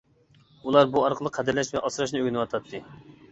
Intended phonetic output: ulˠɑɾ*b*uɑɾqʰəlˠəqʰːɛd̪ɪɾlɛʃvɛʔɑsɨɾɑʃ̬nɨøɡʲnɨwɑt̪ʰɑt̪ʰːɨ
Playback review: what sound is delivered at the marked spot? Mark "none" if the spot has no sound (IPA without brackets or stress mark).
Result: b